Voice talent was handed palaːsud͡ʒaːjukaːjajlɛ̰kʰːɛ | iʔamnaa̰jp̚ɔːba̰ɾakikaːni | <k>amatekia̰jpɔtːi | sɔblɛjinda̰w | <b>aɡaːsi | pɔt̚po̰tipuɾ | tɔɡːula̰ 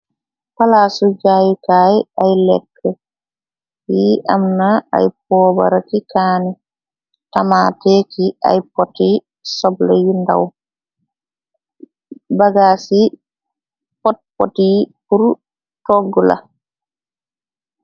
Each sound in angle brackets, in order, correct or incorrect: incorrect: t, correct

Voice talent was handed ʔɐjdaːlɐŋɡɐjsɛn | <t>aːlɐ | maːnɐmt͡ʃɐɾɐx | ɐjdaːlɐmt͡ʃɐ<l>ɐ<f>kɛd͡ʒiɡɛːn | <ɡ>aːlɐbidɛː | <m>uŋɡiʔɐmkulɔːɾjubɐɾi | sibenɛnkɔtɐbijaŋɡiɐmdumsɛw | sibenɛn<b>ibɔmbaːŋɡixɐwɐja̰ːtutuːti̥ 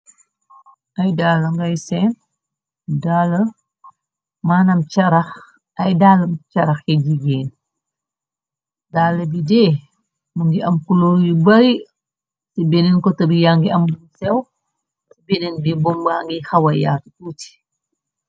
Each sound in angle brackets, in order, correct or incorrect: incorrect: d, incorrect: ɾ, incorrect: x, incorrect: d, correct, correct

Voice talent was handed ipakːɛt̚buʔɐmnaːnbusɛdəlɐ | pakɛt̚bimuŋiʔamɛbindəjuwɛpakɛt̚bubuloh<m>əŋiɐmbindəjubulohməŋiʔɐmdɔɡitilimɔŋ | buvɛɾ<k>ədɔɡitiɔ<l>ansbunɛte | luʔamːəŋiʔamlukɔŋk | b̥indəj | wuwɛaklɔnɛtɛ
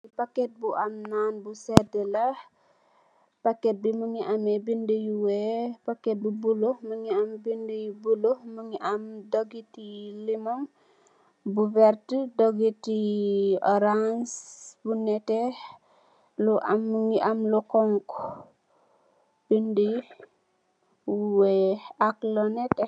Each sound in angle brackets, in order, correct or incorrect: correct, incorrect: t, incorrect: ɾ

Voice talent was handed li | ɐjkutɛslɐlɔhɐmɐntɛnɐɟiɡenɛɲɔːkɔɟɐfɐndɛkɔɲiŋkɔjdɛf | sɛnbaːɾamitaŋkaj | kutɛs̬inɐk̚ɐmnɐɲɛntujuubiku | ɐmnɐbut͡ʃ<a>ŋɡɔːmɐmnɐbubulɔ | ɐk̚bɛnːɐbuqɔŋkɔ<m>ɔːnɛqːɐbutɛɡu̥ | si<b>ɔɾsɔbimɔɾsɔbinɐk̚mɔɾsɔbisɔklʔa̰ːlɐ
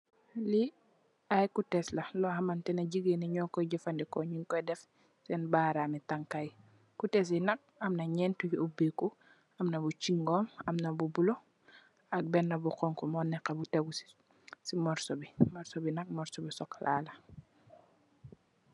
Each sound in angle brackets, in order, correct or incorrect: incorrect: i, correct, incorrect: m

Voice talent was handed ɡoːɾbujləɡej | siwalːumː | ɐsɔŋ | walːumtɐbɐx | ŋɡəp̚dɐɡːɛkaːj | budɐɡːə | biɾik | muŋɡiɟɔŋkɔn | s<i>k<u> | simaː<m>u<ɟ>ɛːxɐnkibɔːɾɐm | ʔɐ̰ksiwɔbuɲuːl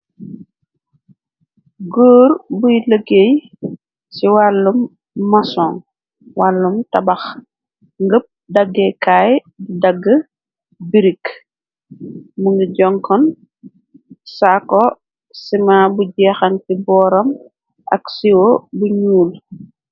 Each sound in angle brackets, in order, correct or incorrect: incorrect: a, incorrect: ɔ, incorrect: b, correct

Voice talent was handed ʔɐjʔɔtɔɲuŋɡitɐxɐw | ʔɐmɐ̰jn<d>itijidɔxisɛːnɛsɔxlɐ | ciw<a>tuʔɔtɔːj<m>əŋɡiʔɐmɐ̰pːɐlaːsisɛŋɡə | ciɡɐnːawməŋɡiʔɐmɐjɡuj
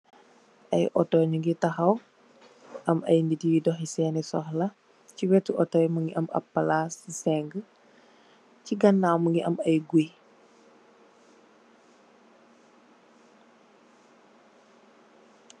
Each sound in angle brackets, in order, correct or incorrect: correct, incorrect: ɛ, correct

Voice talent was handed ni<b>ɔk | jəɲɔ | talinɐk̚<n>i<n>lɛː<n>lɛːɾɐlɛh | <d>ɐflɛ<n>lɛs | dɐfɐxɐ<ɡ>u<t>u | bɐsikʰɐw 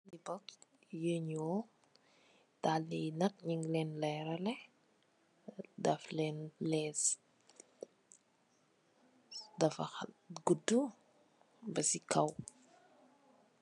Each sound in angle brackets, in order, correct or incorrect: correct, incorrect: ɲ, incorrect: ŋ, correct, correct, correct, correct, incorrect: d

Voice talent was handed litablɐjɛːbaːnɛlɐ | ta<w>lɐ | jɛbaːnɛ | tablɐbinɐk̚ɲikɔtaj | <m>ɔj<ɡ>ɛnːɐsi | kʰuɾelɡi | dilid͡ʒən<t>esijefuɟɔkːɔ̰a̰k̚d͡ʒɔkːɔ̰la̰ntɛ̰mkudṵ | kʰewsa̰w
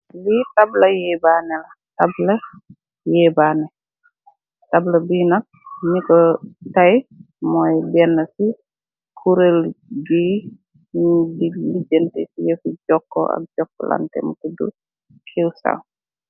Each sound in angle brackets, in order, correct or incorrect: incorrect: b, correct, incorrect: b, correct

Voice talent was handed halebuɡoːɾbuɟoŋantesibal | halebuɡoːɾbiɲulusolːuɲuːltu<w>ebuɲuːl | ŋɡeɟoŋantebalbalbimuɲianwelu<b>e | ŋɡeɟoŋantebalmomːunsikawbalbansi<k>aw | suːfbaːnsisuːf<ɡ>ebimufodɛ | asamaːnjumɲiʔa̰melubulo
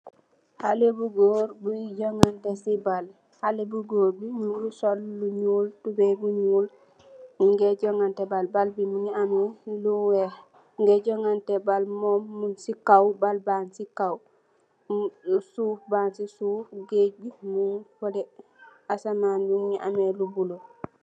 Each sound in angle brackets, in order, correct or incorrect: incorrect: b, incorrect: w, correct, correct

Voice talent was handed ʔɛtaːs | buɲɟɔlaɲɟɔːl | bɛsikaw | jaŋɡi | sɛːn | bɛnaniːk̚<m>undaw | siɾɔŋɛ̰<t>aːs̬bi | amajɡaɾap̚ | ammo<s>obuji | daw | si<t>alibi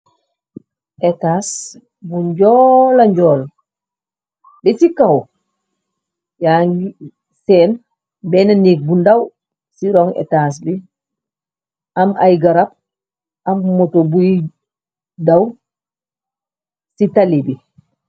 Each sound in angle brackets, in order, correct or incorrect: incorrect: b, correct, incorrect: t, correct

